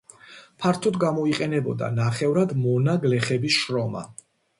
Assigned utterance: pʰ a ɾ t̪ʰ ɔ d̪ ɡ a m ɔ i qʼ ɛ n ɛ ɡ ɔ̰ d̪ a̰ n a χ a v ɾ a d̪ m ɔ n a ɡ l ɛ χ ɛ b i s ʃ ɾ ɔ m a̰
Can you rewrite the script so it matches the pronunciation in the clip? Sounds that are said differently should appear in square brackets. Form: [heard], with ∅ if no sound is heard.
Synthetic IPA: pʰ a ɾ t̪ʰ ɔ d̪ ɡ a m ɔ i qʼ ɛ n ɛ [b] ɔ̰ d̪ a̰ n a χ [ɛ] v ɾ a d̪ m ɔ n a ɡ l ɛ χ ɛ b i s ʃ ɾ ɔ m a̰